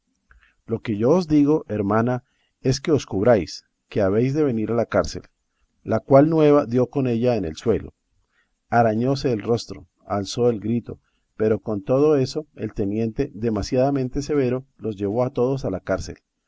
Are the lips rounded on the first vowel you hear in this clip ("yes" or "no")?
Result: yes